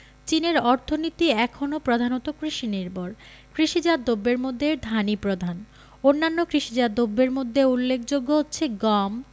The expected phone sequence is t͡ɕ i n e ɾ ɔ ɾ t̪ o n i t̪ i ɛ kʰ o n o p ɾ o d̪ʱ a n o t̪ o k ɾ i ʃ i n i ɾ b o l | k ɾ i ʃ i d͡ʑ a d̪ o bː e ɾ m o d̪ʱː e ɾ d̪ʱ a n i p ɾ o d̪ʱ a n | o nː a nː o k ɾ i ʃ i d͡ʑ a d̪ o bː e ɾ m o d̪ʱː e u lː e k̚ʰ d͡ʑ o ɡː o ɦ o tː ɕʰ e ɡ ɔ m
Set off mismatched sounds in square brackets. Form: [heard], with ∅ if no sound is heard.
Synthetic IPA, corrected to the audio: t͡ɕ i n e ɾ ɔ ɾ [t̪ʰ] o n i t̪ i ɛ kʰ o n o p ɾ o d̪ʱ a n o t̪ o k ɾ i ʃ i n i ɾ b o [ɾ] | k ɾ i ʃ i d͡ʑ a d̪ o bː e ɾ m o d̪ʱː e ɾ d̪ʱ a n i p ɾ o d̪ʱ a n | o nː a nː o k ɾ i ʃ i d͡ʑ a d̪ o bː e ɾ m o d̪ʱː e u lː e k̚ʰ d͡ʑ o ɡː o ɦ o tː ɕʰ e ɡ ɔ m